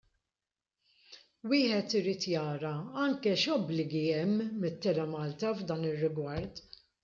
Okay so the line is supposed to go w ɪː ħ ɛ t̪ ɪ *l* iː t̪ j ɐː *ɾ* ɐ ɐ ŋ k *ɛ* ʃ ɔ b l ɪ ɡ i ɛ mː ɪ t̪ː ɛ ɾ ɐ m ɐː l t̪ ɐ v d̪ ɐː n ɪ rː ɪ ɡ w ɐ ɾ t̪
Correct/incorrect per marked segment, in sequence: incorrect: ɾ, correct, correct

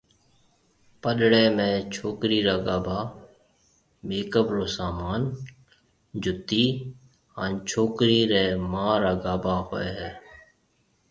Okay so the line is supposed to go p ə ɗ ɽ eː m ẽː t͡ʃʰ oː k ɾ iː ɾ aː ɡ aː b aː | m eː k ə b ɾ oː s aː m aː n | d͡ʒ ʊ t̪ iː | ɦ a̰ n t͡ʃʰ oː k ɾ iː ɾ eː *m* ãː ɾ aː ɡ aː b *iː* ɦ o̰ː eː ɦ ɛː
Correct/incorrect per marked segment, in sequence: correct, incorrect: aː

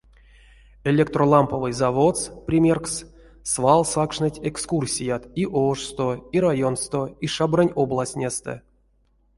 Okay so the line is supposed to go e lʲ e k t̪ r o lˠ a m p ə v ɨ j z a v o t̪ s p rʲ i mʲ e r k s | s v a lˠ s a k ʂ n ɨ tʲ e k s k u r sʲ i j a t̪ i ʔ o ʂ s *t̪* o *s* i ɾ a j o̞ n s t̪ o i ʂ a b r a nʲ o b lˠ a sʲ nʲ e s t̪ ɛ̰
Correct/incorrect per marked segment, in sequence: correct, incorrect: none

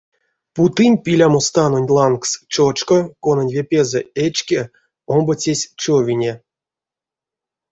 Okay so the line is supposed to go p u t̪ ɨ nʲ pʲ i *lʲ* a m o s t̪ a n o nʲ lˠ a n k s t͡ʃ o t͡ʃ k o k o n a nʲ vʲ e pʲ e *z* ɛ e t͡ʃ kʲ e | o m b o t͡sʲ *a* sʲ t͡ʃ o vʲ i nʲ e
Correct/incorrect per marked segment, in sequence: correct, correct, incorrect: e

